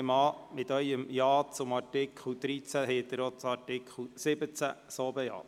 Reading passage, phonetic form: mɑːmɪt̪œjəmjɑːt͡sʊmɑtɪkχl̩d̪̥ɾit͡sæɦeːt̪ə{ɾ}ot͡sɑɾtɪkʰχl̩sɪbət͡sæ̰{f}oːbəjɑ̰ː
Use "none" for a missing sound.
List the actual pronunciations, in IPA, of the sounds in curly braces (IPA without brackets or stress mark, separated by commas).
ɾ, s